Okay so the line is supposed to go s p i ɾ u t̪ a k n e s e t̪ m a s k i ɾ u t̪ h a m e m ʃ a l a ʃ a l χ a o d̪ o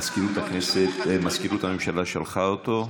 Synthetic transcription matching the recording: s k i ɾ u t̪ a k n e s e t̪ m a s k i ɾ u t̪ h a m e m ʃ a l a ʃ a l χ a o t̪ o